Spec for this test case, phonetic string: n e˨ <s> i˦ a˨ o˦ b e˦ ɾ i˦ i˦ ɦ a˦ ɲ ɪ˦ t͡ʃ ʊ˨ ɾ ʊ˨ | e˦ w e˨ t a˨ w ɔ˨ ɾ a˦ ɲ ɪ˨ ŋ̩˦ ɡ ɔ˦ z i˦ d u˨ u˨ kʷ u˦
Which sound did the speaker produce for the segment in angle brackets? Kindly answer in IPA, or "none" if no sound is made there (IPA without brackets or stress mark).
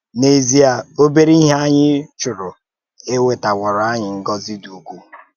z